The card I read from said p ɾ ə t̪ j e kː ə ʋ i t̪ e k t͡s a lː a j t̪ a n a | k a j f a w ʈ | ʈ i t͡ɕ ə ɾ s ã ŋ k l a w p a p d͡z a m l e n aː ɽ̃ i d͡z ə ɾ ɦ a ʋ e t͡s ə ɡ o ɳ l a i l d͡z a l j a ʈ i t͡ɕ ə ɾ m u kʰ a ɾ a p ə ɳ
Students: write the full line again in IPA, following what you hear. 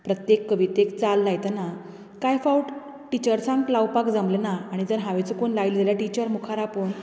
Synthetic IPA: p ɾ ə t̪ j e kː ə ʋ i t̪ e k t͡s a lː a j t̪ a n a | k a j f a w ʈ | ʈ i t͡ɕ ə ɾ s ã ŋ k l a w p a k d͡z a m l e n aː ɽ̃ i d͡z ə ɾ ɦ a ʋ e t͡s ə k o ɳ l a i l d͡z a l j a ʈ i t͡ɕ ə ɾ m u kʰ a ɾ a p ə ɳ